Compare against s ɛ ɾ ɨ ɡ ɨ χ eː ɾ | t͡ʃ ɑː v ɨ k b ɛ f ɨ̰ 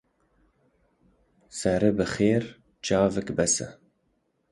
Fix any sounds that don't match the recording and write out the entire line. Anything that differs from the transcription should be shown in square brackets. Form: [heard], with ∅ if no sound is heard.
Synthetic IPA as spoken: s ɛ ɾ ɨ [b] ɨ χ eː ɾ | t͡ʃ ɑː v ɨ k b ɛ [s] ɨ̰